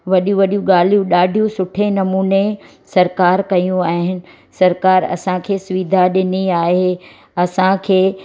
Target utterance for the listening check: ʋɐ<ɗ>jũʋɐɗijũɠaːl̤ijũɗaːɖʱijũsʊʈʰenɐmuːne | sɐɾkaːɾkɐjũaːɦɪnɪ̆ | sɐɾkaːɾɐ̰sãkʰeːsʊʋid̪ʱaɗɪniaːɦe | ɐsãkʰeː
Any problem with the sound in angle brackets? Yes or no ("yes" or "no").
no